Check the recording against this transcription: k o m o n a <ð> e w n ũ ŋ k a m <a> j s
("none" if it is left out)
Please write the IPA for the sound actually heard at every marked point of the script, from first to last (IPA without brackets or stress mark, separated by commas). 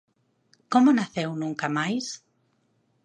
θ, a